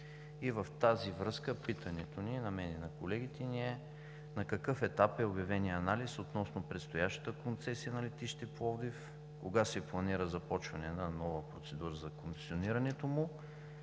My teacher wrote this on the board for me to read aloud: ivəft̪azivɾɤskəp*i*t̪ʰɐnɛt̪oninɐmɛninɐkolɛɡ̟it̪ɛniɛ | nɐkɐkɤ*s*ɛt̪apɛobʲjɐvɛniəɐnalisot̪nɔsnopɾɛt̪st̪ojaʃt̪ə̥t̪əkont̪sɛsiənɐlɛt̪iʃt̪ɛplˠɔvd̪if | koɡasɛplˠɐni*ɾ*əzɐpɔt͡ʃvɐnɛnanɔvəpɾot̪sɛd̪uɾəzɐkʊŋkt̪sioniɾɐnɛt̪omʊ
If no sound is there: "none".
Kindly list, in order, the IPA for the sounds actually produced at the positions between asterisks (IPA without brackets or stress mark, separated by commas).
i, f, ɾ